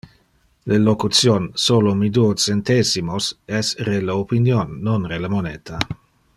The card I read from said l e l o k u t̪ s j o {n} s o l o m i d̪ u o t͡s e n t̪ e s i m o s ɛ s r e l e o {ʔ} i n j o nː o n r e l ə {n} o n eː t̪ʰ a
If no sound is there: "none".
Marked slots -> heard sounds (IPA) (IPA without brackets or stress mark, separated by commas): n, p, m